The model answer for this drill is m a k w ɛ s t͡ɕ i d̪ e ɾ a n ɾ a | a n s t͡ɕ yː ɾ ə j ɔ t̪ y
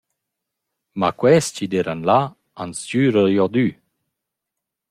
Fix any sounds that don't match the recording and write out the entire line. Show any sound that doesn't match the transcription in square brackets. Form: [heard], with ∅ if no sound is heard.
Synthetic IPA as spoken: m a k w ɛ s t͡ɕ i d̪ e ɾ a n [l] a | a n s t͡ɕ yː ɾ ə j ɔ [d̪] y